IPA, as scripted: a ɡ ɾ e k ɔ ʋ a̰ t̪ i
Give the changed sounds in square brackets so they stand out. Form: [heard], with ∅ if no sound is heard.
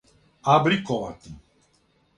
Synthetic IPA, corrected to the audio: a [b] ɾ [i] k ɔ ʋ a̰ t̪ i